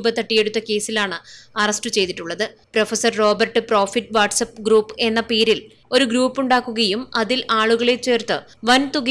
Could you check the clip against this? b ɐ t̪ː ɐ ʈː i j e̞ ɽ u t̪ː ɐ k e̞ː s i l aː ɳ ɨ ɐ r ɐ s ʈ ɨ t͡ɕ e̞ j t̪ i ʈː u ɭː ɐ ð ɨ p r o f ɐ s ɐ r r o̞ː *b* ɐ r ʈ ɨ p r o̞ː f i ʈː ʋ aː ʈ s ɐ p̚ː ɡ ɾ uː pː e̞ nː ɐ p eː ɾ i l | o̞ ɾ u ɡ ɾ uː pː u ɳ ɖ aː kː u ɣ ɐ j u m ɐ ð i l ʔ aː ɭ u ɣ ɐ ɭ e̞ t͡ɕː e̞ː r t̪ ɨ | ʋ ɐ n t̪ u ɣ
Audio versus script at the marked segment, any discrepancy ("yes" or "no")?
no